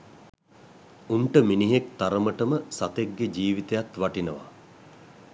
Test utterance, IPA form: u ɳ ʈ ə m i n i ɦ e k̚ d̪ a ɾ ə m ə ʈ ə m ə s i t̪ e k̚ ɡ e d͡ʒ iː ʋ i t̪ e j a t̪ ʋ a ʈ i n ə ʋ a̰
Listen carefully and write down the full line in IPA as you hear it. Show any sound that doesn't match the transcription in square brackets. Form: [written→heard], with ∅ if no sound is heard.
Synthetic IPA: u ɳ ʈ ə m i n i ɦ e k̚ [d̪→t̪] a ɾ ə m ə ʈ ə m ə s [i→a] t̪ e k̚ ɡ e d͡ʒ iː ʋ i t̪ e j a t̪ ʋ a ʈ i n ə ʋ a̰